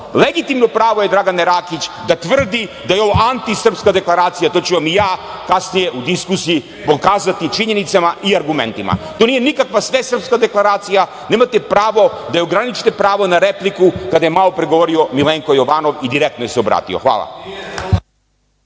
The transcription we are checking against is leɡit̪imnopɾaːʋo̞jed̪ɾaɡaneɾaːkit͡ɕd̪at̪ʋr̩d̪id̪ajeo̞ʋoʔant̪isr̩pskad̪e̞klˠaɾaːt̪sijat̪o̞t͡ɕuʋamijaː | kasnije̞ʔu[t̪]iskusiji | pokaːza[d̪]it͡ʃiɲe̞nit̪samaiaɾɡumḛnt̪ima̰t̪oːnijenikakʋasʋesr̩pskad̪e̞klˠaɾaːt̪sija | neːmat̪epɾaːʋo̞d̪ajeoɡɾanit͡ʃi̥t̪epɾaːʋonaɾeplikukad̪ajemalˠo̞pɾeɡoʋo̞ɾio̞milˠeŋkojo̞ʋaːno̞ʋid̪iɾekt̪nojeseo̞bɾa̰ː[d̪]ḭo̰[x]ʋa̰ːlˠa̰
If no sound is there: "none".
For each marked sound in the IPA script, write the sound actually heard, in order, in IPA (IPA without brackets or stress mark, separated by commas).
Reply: d̪, t̪, t̪, x